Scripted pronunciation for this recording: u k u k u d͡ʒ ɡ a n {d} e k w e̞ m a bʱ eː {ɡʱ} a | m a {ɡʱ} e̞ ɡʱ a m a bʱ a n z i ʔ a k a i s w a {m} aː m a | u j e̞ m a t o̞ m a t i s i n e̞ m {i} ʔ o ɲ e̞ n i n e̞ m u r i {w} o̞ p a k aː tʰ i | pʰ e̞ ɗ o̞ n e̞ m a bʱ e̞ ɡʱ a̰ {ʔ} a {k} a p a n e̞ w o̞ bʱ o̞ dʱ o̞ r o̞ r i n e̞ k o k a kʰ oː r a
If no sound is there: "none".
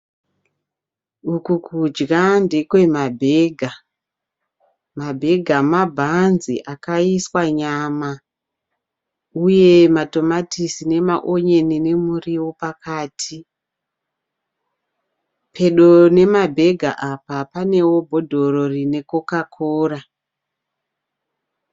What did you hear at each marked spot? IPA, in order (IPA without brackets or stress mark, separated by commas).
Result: d, ɡʱ, bʱ, ɲ, a, w, ʔ, p